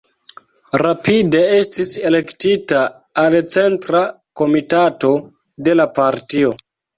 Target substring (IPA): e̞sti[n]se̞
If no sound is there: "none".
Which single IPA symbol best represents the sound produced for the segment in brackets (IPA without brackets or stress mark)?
none